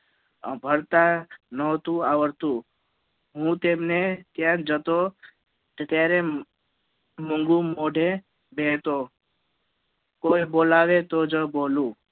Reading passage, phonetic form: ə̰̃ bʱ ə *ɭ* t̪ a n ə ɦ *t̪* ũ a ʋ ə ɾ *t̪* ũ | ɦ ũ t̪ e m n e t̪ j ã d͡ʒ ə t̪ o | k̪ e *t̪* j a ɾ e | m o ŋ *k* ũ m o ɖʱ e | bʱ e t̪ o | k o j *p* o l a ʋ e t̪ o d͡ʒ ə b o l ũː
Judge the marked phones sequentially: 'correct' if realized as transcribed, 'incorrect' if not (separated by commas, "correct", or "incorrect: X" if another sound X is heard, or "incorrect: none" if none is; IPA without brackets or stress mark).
incorrect: ɾ, correct, correct, correct, incorrect: ɡ, incorrect: b